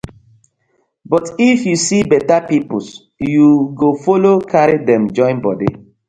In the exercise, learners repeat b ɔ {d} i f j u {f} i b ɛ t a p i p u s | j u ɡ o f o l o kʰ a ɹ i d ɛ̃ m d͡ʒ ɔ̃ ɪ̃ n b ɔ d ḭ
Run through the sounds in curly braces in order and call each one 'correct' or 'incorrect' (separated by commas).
incorrect, incorrect